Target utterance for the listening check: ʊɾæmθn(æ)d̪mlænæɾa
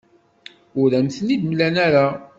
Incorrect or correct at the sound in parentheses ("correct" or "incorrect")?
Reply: incorrect